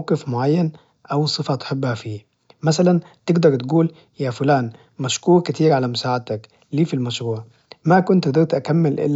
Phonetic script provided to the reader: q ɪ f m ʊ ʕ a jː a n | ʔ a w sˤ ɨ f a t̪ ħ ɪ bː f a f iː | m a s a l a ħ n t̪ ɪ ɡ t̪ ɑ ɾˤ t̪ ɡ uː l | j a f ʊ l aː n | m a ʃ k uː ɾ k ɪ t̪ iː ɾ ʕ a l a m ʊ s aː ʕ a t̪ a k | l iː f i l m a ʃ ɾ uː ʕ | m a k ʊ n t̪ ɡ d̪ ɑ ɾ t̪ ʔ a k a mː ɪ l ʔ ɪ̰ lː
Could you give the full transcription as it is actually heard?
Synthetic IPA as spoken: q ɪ f m ʊ ʕ a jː a n | ʔ a w sˤ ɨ f a t̪ ħ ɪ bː h a f iː | m a s a l a n t̪ ɪ ɡ d̪ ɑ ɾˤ t̪ ɡ uː l | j a f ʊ l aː n | m a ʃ k uː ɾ k ɪ t̪ iː ɾ ʕ a l a m ʊ s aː ʕ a t̪ a k | l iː f i l m a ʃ ɾ uː ʕ | m a k ʊ n t̪ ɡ d̪ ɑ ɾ t̪ ʔ a k a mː ɪ l ʔ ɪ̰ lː

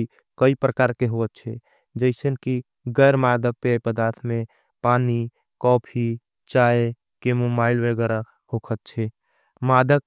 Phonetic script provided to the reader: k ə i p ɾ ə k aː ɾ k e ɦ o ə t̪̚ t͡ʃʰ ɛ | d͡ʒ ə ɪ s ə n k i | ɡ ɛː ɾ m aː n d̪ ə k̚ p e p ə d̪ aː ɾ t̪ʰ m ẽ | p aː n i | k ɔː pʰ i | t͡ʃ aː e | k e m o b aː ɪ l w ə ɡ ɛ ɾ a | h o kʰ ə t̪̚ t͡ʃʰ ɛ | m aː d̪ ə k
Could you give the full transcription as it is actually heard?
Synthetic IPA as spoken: k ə i p ɾ ə k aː ɾ k e ɦ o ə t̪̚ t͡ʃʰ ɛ | d͡ʒ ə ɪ s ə n k i | ɡ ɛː ɾ m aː d̪ ə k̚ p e p ə d̪ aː ɾ t̪ʰ m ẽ | p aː n i | k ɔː pʰ i | t͡ʃ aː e | k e m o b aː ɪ l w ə ɡ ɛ ɾ a | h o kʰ ə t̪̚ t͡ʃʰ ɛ | m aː d̪ ə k

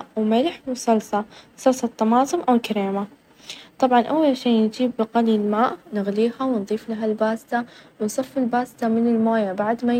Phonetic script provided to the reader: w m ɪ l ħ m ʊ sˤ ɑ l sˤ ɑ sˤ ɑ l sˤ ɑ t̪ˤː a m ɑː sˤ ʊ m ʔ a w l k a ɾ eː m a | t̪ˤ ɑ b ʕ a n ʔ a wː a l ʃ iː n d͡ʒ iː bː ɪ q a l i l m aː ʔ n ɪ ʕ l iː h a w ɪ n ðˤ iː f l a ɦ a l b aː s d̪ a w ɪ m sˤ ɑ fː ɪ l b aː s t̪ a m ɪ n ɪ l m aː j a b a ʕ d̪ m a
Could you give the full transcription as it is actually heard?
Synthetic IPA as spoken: w m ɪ l ħ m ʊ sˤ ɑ l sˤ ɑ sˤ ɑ l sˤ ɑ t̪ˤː ɑ m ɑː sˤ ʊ m ʔ a w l k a ɾ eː m a | t̪ˤ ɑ b ʕ ɑ n ʔ a wː a l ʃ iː n d͡ʒ iː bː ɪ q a l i l m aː ʔ n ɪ ɣ l iː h a w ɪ n ðˤ iː f l a ɦ a l b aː s t̪ a w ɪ n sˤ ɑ fː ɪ l b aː s t̪ a m ɪ n ɪ l m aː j a b a ʕ d̪ m a

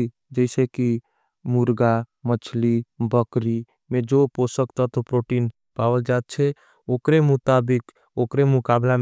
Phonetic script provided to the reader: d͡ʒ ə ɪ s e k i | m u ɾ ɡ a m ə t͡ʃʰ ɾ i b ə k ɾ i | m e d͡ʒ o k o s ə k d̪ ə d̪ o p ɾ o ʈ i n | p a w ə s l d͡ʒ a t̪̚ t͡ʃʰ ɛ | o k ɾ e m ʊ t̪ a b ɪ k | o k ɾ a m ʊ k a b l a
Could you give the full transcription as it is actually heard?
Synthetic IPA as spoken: d͡ʒ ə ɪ s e k i | m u ɾ ɡ a m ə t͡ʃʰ l i b ə k ɾ i | m e d͡ʒ o p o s ə k t̪ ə t̪ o p ɾ o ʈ i n | p a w ə l d͡ʒ a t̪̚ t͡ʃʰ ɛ | o k ɾ e m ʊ t̪ a b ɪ k | o k ɾ e m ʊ k a b l a

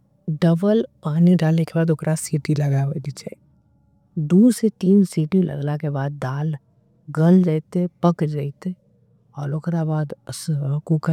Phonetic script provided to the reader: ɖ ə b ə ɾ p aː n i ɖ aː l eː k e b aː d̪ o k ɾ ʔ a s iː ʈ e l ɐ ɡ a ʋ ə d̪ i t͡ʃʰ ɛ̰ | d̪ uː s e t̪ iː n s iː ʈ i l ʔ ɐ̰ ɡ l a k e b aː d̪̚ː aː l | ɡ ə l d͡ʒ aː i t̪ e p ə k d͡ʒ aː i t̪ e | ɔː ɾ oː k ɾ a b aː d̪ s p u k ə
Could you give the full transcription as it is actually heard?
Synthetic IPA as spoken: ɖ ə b ə l p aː n i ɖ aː l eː k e b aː d̪ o k ɾ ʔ a s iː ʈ i l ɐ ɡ a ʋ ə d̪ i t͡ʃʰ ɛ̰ | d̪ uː s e t̪ iː n s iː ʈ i l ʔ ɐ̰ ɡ l a k e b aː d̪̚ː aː l | ɡ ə l d͡ʒ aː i t̪ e p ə k d͡ʒ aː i t̪ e | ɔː ɾ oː k ɾ a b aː d̪ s k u k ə

